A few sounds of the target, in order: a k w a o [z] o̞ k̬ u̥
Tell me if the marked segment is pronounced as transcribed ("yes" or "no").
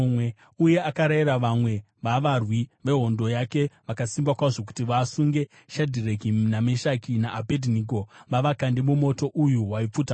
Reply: no